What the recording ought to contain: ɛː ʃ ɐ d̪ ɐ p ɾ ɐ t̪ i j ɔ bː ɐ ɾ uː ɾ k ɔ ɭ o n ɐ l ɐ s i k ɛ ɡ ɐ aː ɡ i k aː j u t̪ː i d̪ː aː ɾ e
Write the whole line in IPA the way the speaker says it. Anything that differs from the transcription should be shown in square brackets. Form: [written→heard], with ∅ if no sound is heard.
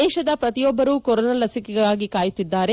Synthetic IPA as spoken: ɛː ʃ ɐ d̪ ɐ p ɾ ɐ t̪ i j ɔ bː ɐ ɾ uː [ɾ→∅] k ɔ [ɭ→ɾ] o n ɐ l ɐ s i k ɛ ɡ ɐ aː ɡ i k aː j u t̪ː i d̪ː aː ɾ e

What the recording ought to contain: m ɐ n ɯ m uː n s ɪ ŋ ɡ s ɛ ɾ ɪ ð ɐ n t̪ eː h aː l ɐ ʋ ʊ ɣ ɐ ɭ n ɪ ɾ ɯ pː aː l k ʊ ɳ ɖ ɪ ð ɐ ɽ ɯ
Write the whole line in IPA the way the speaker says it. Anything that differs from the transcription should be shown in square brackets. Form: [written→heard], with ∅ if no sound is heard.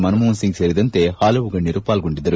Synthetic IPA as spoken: m ɐ n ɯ m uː n s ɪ ŋ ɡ s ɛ ɾ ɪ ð ɐ n t̪ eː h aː l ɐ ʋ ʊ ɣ ɐ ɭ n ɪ ɾ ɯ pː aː l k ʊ ɳ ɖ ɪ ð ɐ [ɽ→ɾ] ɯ

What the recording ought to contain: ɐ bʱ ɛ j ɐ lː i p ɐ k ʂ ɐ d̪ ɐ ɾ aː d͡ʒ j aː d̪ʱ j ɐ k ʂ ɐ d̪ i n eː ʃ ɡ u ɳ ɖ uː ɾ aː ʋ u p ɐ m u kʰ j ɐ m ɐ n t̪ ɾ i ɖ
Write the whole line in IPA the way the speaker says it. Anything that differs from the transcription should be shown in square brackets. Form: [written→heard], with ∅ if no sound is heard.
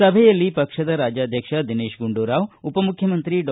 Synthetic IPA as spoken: ɐ bʱ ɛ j ɐ lː i p ɐ k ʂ ɐ d̪ ɐ ɾ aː d͡ʒ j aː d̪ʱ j ɐ k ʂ ɐ d̪ i n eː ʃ ɡ u ɳ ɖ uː ɾ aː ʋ u p ɐ m u kʰ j ɐ m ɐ n t̪ ɾ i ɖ

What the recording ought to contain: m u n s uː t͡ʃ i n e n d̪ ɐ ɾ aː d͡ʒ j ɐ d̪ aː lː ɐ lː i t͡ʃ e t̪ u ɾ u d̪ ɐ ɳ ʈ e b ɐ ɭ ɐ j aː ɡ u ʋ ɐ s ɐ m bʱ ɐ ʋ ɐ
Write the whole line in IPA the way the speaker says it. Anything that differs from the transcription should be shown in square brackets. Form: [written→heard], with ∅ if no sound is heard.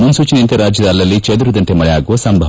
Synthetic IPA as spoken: m u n s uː t͡ʃ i n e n [d̪→t̪] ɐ ɾ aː d͡ʒ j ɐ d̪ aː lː ɐ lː i t͡ʃ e [t̪→d̪] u ɾ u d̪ ɐ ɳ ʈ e [b→m] ɐ ɭ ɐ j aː ɡ u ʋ ɐ s ɐ m bʱ ɐ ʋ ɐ

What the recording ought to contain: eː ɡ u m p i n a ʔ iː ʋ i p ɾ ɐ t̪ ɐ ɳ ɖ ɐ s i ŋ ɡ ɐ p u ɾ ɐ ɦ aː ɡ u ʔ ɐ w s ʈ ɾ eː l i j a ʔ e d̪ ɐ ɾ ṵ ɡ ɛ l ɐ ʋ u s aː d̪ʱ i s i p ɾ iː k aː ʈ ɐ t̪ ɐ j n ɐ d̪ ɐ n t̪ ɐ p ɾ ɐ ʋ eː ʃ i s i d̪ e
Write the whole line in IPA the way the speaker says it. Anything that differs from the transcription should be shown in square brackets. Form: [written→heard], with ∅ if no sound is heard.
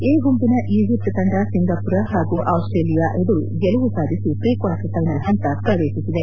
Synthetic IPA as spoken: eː ɡ u m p i n [a→ɐ] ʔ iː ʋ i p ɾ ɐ t̪ ɐ ɳ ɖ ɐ s i ŋ ɡ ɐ p u ɾ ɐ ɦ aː ɡ u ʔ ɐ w s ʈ ɾ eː l i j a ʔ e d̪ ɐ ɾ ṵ ɡ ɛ l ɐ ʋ u s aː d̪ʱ i s i p ɾ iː k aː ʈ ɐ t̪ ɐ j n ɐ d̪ ɐ n t̪ ɐ p ɾ ɐ ʋ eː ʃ i s i d̪ e

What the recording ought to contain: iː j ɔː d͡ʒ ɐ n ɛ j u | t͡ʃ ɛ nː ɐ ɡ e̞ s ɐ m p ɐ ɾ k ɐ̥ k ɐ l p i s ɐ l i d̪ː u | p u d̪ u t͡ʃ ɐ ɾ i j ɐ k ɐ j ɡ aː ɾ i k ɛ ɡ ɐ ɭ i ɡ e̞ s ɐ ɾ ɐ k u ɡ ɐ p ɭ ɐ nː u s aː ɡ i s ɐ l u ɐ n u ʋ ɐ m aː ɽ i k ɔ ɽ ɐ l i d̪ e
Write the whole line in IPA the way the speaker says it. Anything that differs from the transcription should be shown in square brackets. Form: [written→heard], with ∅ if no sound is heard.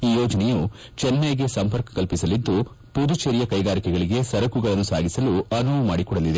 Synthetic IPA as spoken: iː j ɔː d͡ʒ ɐ n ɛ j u | t͡ʃ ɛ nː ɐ ɡ e̞ s ɐ m p ɐ ɾ k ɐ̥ k ɐ l p i s ɐ l i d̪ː u | p u d̪ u t͡ʃ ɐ ɾ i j ɐ k ɐ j ɡ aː ɾ i k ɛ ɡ ɐ ɭ i ɡ e̞ s ɐ ɾ ɐ k u ɡ ɐ [p→∅] ɭ ɐ nː u s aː ɡ i s ɐ l u ɐ n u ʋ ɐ m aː ɽ i k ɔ ɽ ɐ l i d̪ e

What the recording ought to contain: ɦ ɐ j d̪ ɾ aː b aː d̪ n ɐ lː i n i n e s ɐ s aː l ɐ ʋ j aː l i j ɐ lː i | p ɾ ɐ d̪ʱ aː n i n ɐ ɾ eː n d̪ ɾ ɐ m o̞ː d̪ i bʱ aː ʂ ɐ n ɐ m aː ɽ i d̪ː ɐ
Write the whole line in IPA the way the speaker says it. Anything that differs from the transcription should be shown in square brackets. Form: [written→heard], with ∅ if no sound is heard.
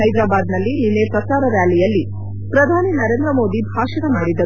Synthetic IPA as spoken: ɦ ɐ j d̪ ɾ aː b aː d̪ n ɐ lː i n i n e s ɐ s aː [l→ɾ] ɐ ʋ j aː l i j ɐ lː i | p ɾ ɐ d̪ʱ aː n i n ɐ ɾ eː n d̪ ɾ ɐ m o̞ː d̪ i bʱ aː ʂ ɐ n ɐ m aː ɽ i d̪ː ɐ

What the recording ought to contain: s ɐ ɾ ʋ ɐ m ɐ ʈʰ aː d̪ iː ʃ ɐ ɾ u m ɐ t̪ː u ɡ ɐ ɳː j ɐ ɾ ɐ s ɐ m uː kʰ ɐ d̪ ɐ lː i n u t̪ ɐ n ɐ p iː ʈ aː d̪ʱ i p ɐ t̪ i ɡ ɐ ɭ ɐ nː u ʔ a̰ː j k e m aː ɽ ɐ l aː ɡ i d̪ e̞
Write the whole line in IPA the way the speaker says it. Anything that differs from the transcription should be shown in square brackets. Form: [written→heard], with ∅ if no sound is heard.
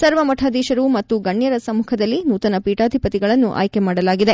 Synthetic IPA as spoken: s ɐ ɾ ʋ ɐ m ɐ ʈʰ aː d̪ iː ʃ ɐ ɾ u m ɐ t̪ː u ɡ ɐ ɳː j ɐ ɾ ɐ s ɐ m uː kʰ ɐ d̪ ɐ lː i n [u→uː] t̪ ɐ n ɐ p iː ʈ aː d̪ʱ i p ɐ t̪ i ɡ ɐ ɭ ɐ nː u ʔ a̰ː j k e m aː ɽ ɐ l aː ɡ i d̪ e̞

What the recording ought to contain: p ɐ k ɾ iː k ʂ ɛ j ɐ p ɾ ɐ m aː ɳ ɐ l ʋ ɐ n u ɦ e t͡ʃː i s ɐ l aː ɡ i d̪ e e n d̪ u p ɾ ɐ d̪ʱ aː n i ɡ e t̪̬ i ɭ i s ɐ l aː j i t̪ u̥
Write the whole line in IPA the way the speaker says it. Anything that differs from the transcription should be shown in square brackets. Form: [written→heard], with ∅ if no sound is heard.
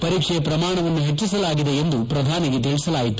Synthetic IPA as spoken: p ɐ [k→∅] ɾ iː k ʂ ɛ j ɐ p ɾ ɐ m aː ɳ ɐ [l→∅] ʋ ɐ [n→nː] u ɦ e t͡ʃː i s ɐ l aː ɡ i d̪ e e n d̪ u p ɾ ɐ d̪ʱ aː n i ɡ e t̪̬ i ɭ i s ɐ l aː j i t̪ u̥

